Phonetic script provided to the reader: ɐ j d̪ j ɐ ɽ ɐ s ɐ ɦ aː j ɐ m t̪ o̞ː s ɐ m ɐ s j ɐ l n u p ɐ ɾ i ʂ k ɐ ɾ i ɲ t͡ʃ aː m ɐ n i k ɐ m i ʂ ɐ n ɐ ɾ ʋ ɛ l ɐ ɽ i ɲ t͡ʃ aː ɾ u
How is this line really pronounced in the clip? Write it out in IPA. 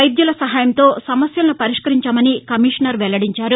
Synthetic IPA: ɐ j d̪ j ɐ l ɐ s ɐ ɦ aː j ɐ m t̪ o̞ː s ɐ m ɐ s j ɐ l n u p ɐ ɾ i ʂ k ɐ ɾ i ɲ t͡ʃ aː m ɐ n i k ɐ m i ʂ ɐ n ɐ ɾ ʋ ɛ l ɐ ɽ i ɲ t͡ʃ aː ɾ u